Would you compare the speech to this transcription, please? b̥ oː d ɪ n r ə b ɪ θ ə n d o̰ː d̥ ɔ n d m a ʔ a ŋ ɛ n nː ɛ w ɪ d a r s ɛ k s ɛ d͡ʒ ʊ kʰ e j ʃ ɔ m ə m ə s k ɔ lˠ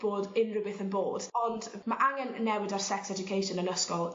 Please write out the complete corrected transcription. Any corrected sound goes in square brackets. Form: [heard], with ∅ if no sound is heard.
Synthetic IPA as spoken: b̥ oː d ɪ n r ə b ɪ θ ə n [b] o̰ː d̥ ɔ n d m a ʔ a ŋ ɛ n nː ɛ w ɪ d a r s ɛ k s ɛ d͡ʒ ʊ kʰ e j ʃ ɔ [n] ə [n] ə s k ɔ lˠ

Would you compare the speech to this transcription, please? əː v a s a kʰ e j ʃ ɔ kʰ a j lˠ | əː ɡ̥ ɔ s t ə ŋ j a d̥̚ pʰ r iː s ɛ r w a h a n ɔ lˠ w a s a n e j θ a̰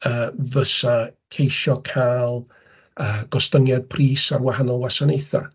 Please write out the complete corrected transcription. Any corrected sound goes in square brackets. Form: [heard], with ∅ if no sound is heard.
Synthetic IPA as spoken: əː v [ə] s a kʰ e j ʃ ɔ kʰ a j lˠ | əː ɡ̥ ɔ s t ə ŋ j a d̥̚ pʰ r iː s [a] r w a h a n ɔ lˠ w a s a n e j θ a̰

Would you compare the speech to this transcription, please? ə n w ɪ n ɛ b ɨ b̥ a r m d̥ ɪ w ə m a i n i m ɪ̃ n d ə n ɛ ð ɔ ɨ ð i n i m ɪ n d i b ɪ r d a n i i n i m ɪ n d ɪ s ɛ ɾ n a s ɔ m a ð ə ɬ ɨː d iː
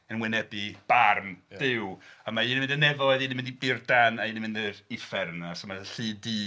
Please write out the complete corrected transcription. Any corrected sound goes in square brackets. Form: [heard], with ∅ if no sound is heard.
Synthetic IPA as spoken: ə n w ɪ n ɛ b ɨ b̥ a r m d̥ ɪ w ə m a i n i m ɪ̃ n d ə n ɛ [v] ɔ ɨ ð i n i m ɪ n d i b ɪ r d a n [a] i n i m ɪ n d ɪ [f] ɛ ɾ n a s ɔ m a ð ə ɬ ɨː d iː

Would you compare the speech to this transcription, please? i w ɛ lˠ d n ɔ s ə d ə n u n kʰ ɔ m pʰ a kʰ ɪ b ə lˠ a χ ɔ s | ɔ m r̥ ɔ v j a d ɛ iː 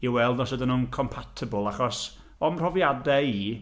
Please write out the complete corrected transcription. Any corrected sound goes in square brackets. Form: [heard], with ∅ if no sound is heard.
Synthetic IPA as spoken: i w ɛ lˠ d n ɔ s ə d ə n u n kʰ ɔ m pʰ a [tʰ] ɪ b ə lˠ a χ ɔ s | ɔ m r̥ ɔ v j a d ɛ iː

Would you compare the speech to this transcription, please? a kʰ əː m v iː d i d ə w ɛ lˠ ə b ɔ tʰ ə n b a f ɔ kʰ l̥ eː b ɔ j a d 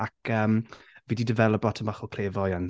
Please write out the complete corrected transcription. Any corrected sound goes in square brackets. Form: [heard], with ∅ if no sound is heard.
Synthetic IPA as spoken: a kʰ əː m v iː d i d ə [v] ɛ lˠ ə b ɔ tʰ ə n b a [χ] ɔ kʰ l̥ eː [v] ɔ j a [n]

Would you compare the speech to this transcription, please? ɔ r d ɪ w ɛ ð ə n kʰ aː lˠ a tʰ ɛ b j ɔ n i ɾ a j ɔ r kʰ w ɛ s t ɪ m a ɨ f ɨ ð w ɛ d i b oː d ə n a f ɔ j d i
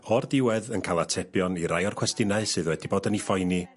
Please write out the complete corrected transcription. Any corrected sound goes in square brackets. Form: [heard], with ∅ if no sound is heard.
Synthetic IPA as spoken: ɔ r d ɪ w ɛ ð ə n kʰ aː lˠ a tʰ ɛ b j ɔ n i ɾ a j ɔ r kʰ w ɛ s t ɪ [n] a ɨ [s] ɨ ð w ɛ d i b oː d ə n [i] f ɔ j [n] i

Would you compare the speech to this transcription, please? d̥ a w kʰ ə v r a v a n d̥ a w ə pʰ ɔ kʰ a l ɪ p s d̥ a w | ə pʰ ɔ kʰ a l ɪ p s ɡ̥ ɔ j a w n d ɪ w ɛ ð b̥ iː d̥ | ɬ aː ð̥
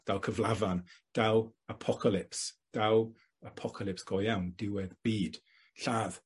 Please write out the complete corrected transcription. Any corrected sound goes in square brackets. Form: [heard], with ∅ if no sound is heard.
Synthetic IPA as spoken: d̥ a w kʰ ə v [l] a v a n d̥ a w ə pʰ ɔ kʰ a l ɪ p s d̥ a w | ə pʰ ɔ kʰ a l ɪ p s ɡ̥ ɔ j a w n d ɪ w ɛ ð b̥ iː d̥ | ɬ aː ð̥

